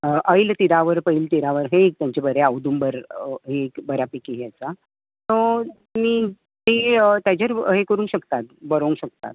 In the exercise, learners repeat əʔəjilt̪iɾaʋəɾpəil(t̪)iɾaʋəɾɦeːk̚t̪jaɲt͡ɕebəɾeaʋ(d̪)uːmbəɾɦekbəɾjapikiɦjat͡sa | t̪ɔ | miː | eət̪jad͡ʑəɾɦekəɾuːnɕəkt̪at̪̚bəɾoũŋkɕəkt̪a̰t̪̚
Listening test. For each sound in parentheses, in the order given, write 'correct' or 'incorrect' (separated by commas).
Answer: correct, correct